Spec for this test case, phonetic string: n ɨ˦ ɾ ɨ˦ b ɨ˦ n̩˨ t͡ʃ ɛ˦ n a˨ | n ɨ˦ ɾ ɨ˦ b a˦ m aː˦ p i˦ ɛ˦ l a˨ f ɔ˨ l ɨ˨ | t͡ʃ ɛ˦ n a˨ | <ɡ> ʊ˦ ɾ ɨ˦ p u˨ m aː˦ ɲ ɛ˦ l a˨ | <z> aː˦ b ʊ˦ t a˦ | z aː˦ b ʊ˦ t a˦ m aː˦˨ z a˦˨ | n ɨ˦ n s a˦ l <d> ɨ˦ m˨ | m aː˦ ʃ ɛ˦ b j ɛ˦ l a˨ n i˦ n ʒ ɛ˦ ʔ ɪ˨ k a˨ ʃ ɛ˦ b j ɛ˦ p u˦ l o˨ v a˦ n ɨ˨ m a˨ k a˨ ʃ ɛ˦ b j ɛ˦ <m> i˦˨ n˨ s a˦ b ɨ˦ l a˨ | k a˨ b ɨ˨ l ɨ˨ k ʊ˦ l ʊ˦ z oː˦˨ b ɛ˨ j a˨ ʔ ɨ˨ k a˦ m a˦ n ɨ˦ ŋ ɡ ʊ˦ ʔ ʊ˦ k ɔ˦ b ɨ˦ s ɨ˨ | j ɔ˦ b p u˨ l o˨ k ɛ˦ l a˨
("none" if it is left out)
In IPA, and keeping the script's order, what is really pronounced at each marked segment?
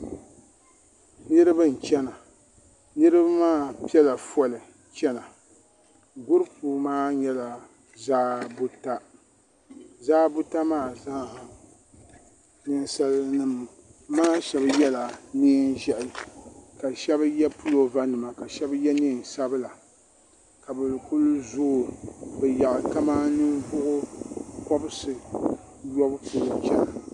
ɡ, z, n, n

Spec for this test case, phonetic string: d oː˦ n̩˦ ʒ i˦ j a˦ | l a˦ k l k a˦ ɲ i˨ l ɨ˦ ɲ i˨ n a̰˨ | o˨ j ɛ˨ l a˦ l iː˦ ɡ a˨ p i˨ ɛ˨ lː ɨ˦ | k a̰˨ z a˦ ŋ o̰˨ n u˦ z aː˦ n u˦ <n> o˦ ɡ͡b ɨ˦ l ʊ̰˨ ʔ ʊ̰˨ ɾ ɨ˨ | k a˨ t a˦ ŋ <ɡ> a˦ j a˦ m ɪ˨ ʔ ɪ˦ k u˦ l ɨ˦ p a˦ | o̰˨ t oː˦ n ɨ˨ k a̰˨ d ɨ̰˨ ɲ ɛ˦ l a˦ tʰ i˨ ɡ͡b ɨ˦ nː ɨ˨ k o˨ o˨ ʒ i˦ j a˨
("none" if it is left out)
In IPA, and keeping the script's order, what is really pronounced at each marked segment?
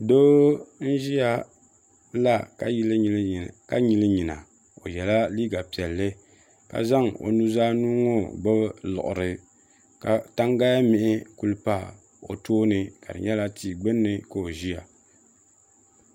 ŋ, ɡ

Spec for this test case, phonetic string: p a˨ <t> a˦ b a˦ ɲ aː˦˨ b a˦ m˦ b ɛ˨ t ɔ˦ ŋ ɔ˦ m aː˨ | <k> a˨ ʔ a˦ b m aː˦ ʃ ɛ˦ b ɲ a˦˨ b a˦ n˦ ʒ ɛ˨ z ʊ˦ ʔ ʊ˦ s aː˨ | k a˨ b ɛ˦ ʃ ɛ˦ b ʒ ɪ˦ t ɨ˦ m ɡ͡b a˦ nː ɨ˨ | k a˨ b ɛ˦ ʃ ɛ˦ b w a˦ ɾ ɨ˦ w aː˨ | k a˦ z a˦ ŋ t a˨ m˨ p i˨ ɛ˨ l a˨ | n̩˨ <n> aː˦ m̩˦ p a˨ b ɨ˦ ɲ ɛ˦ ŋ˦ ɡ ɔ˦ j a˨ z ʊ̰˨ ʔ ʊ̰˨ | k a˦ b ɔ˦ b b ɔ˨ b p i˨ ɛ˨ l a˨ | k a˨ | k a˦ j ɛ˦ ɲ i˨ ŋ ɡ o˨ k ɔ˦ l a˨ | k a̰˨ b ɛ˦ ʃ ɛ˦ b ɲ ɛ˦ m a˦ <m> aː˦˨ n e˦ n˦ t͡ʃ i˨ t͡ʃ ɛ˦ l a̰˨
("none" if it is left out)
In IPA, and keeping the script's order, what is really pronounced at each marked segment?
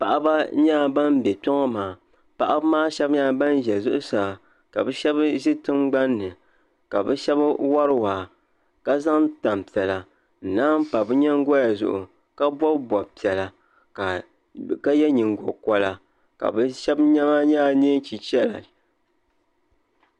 ʔ, p, n, ɲ

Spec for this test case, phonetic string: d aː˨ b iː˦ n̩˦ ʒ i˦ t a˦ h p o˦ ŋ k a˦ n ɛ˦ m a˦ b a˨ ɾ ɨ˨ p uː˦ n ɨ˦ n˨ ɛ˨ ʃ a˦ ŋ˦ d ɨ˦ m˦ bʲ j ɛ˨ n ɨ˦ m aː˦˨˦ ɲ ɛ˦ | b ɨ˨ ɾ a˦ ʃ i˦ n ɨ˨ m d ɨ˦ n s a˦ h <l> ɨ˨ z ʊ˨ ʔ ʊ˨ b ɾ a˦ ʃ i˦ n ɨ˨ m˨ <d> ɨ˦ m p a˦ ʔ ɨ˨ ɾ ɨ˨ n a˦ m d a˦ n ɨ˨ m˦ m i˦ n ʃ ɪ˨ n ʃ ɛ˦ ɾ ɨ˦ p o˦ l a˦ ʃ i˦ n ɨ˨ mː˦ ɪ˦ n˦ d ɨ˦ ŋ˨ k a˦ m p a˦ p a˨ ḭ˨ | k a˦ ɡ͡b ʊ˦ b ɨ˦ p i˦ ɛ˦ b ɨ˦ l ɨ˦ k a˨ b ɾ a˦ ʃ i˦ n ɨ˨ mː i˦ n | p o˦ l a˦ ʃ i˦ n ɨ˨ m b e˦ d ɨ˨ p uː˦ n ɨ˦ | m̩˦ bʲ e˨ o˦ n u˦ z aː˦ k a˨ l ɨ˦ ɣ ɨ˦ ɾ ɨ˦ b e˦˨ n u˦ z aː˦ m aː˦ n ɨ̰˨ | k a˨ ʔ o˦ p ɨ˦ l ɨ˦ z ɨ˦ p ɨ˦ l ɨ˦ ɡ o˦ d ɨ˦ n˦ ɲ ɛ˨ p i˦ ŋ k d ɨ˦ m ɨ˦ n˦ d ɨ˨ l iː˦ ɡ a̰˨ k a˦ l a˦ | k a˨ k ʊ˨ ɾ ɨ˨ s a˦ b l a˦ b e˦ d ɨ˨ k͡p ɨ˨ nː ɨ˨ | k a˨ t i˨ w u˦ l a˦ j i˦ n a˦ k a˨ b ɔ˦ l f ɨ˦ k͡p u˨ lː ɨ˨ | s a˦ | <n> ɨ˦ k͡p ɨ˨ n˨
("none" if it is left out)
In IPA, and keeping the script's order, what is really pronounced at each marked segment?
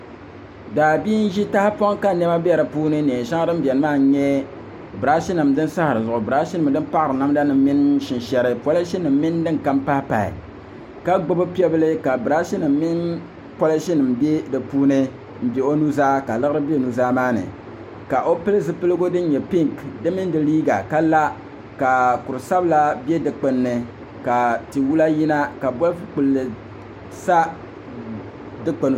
ɾ, d, d

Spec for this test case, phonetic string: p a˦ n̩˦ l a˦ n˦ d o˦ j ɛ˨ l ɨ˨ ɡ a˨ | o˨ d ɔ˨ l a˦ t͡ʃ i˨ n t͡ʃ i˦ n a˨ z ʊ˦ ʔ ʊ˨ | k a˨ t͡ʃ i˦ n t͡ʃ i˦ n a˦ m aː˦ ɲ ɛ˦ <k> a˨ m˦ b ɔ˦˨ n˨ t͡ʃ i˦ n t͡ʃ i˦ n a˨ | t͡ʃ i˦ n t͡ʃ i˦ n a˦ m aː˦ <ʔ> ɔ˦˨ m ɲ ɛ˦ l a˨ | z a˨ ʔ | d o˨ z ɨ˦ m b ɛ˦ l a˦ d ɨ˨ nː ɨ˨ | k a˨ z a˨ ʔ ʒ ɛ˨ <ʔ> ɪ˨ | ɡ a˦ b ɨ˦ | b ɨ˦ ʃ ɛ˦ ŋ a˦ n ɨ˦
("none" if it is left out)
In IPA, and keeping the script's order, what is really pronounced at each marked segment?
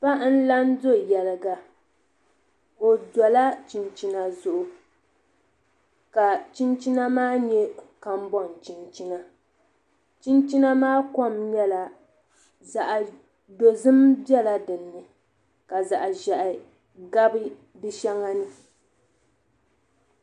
k, k, ʔ

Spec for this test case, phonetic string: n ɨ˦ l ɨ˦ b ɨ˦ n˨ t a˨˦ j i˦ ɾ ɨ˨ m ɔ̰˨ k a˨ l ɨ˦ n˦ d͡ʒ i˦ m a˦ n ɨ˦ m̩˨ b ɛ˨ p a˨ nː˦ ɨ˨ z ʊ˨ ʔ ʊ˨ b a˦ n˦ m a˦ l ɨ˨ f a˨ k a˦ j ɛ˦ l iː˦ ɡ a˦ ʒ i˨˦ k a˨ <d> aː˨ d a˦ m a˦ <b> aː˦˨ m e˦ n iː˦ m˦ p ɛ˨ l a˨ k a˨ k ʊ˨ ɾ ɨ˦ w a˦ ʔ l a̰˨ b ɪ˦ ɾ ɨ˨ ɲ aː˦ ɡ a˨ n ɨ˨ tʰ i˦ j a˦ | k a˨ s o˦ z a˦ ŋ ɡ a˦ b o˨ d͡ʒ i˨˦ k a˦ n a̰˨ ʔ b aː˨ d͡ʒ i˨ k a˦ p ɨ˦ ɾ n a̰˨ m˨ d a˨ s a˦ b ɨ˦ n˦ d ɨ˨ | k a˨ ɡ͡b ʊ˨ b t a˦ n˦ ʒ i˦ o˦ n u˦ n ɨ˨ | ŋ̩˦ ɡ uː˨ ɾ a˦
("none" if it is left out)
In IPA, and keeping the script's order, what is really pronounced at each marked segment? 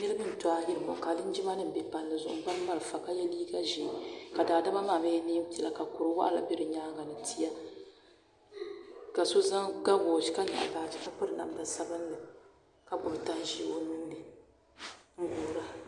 d, m

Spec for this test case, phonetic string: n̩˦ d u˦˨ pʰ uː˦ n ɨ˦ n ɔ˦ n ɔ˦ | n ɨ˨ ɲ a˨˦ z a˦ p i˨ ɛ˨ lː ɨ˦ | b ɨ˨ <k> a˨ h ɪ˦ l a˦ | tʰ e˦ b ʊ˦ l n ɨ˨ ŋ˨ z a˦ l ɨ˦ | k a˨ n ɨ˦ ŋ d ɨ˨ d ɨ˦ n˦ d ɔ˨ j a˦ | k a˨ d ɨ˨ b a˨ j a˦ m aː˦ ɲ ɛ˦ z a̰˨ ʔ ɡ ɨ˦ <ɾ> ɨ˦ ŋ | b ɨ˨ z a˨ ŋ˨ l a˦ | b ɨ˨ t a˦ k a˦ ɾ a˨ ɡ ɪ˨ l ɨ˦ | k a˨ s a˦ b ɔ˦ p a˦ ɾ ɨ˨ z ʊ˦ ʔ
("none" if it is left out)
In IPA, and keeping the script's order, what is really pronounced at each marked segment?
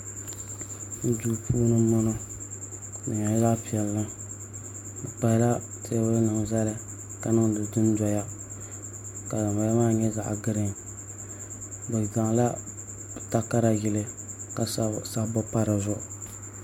k͡p, ɾ

